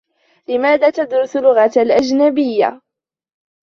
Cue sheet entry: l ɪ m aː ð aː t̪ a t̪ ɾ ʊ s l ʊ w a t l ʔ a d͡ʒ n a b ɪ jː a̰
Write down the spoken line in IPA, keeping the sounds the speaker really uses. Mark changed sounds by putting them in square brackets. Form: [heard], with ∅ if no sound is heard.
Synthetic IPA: l ɪ m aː ð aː t̪ a [d̪] ɾ ʊ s l ʊ [ɣ] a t l ʔ a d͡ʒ n a b ɪ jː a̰